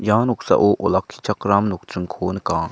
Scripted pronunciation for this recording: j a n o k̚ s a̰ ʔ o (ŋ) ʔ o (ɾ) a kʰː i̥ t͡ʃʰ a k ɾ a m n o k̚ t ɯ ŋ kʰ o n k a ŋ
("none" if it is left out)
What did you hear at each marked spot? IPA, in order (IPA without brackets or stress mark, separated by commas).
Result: none, l